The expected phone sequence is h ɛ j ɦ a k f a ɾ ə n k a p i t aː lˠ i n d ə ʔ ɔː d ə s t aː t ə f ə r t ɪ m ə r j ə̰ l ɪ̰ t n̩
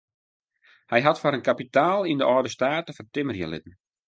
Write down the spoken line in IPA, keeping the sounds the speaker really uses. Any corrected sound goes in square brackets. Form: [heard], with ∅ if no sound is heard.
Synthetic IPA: h ɛ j ɦ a [t] f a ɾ ə n k a p i t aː lˠ i n d ə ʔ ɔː d ə s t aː t ə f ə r t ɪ m ə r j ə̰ l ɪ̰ t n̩